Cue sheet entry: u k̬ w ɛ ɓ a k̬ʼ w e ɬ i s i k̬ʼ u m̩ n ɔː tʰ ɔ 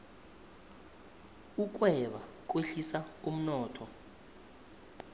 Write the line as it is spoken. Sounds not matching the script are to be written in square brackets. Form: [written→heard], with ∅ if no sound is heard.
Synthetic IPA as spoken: u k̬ w ɛ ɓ a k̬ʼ w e ɬ i s [i→a] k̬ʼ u m̩ n ɔː tʰ ɔ